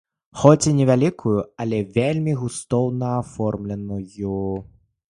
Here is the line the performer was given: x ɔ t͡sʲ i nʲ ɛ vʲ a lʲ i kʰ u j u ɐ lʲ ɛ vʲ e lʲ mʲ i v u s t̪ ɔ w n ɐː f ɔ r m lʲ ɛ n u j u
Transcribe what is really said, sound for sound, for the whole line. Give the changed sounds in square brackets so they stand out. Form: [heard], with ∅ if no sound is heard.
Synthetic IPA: x ɔ t͡sʲ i nʲ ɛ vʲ a lʲ i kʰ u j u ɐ lʲ ɛ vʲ e lʲ mʲ i [ɣ] u s t̪ ɔ w n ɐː f ɔ r m lʲ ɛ n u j u